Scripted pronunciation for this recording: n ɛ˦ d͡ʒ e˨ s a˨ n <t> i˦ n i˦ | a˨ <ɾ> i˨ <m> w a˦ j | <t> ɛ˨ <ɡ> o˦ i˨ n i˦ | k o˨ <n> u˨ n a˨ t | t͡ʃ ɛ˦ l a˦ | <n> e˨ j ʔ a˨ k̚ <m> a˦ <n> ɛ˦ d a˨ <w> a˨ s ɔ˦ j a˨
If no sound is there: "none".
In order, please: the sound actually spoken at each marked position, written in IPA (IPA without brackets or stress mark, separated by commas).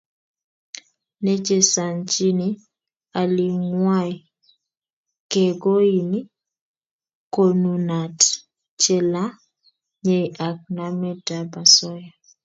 t͡ʃ, l, ŋ, k, ɡ, n, ɲ, n, m, b